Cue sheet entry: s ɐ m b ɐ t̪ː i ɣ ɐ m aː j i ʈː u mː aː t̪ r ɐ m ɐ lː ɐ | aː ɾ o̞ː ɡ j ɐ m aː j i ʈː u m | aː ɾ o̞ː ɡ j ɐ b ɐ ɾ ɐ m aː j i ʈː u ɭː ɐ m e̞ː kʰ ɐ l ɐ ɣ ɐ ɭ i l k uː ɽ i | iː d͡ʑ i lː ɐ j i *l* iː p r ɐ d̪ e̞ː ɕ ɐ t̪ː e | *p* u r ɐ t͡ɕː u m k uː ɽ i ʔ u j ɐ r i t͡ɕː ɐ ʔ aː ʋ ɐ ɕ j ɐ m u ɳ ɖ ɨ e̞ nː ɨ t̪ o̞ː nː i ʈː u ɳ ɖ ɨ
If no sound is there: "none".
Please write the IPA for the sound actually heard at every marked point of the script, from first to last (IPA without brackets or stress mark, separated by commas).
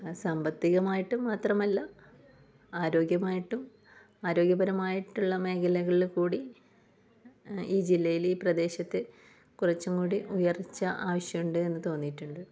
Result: l, k